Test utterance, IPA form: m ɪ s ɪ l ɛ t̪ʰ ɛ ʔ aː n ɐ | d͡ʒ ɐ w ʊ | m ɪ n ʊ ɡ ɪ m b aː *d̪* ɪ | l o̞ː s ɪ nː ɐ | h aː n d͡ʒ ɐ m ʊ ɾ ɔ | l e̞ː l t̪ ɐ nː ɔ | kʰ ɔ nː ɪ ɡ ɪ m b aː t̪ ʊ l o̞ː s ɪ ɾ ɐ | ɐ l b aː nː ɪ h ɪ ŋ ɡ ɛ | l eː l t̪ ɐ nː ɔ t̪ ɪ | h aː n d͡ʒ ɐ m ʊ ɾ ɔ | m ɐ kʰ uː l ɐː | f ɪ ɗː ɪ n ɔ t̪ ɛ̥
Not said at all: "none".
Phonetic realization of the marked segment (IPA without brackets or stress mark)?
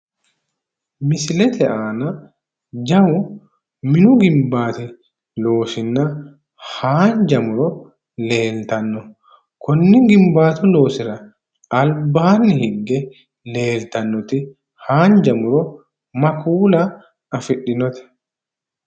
t̪